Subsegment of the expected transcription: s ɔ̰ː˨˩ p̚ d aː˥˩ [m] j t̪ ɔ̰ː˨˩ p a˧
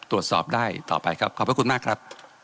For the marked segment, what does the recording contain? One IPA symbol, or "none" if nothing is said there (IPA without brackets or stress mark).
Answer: none